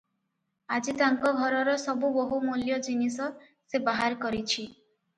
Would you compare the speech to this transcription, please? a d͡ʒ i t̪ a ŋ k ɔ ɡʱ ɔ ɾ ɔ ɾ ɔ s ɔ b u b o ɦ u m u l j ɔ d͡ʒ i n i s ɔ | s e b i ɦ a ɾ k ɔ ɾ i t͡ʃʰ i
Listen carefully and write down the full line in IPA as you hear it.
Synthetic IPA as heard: a d͡ʒ i t̪ a ŋ k ɔ ɡʱ ɔ ɾ ɔ ɾ ɔ s ɔ b u b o ɦ u m u l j ɔ d͡ʒ i n i s ɔ | s e b a ɦ a ɾ k ɔ ɾ i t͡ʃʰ i